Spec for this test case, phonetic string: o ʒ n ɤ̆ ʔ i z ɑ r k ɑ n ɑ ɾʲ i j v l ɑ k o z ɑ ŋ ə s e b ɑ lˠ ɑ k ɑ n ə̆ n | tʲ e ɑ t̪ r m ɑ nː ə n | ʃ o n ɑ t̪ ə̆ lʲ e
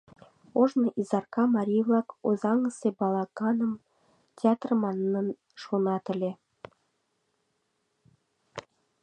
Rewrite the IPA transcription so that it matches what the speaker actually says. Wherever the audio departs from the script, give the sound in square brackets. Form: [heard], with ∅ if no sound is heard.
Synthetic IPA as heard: o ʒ n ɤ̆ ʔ i z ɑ r k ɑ [m] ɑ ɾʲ i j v l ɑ k o z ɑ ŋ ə s e b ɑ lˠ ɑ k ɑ n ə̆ [m] | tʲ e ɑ t̪ r m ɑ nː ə n | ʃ o n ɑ t̪ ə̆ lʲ e